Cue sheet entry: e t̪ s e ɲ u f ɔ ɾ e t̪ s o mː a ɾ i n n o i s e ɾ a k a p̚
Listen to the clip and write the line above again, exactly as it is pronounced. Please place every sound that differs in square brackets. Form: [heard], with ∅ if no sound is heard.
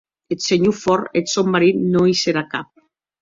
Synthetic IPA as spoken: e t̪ s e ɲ u f ɔ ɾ e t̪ s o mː a ɾ i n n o i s e ɾ a k a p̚